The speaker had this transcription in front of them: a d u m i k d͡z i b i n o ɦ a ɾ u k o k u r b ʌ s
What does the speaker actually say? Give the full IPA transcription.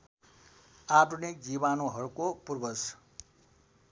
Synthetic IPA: a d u n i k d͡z i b a n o ɦ ʌ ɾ u k o p u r b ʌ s